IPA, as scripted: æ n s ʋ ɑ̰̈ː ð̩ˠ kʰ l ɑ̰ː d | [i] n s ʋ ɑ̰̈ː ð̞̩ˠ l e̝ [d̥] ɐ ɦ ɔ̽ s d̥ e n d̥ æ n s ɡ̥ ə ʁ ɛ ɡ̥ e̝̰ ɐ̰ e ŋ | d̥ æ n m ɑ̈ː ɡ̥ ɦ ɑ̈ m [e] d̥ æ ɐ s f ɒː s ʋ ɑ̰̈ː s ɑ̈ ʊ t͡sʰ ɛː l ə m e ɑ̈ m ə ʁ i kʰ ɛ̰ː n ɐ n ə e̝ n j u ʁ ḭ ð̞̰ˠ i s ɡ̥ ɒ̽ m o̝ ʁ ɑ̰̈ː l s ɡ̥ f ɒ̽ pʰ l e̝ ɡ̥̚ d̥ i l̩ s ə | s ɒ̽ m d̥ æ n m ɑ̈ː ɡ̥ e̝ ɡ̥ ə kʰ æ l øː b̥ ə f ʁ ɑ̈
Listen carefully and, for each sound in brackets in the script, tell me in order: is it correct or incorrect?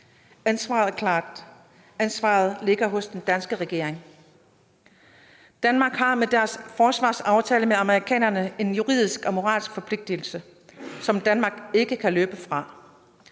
incorrect: æ, incorrect: ɡ̥, correct

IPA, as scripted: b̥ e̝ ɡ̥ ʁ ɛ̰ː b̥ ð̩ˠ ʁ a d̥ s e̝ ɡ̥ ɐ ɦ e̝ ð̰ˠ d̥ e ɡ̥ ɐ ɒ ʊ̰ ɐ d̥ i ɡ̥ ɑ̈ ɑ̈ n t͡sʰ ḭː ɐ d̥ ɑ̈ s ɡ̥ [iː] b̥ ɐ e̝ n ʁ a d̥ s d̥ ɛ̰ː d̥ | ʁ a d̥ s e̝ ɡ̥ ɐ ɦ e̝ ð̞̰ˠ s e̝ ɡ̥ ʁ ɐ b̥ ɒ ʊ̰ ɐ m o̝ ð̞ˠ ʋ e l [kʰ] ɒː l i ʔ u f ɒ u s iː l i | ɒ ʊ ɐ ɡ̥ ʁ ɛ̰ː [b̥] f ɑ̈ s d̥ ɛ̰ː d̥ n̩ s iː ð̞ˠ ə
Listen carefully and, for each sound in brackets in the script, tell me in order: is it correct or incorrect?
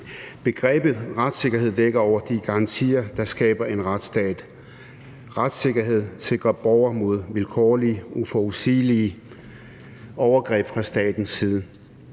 incorrect: ɛː, correct, correct

